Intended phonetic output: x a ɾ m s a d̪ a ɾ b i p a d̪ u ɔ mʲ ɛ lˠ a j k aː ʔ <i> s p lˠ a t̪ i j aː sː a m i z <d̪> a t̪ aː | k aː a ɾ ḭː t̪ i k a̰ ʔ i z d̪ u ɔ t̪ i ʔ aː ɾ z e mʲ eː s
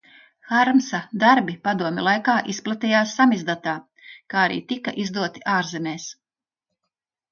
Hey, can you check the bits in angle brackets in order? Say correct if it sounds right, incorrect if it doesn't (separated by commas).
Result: correct, correct